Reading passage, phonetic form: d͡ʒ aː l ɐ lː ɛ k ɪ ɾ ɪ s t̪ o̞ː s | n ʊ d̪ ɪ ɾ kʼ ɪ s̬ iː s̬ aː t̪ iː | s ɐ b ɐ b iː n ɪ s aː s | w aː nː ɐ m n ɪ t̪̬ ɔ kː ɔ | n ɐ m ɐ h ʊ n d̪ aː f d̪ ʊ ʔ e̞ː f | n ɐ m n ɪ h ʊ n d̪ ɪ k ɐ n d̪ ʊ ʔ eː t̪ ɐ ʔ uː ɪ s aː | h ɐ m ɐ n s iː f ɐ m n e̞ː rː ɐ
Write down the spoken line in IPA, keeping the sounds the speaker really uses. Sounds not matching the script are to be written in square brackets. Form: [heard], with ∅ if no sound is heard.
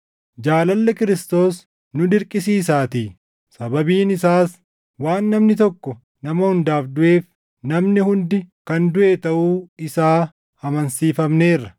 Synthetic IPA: d͡ʒ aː l ɐ lː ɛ k ɪ ɾ ɪ s t̪ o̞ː s | n ʊ d̪ ɪ ɾ kʼ ɪ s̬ iː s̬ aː t̪ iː | s ɐ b ɐ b iː n ɪ s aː s | w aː nː ɐ m n ɪ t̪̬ ɔ kː ɔ | n ɐ m ɐ h ʊ n d̪ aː f d̪ ʊ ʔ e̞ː f | n ɐ m n ɪ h ʊ n d̪ ɪ k ɐ n d̪ ʊ ʔ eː t̪ ɐ ʔ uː ɪ s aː | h ɐ m ɐ n s iː f ɐ m n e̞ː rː ɐ